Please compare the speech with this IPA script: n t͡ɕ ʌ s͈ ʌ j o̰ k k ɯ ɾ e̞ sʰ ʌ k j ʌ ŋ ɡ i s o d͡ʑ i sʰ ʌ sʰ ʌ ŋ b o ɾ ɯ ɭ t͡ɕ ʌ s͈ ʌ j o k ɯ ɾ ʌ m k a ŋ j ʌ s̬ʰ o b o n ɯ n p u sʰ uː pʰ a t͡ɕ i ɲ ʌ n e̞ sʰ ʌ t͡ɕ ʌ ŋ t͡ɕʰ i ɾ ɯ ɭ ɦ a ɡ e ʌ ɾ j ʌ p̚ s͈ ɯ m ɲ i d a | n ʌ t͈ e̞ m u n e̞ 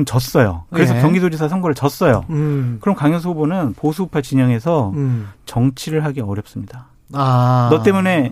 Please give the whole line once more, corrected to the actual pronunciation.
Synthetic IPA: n t͡ɕ ʌ s͈ ʌ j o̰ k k ɯ ɾ e̞ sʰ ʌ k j ʌ ŋ ɡ i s o d͡ʑ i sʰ a sʰ ʌ ŋ ɡ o ɾ ɯ ɭ t͡ɕ ʌ s͈ ʌ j o k ɯ ɾ ʌ m k a ŋ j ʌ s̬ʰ o b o n ɯ n p o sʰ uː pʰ a t͡ɕ i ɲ ʌ ŋ e̞ sʰ ʌ t͡ɕ ʌ ŋ t͡ɕʰ i ɾ ɯ ɭ ɦ a ɡ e ʌ ɾ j ʌ p̚ s͈ ɯ m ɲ i d a | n ʌ t͈ e̞ m u n e̞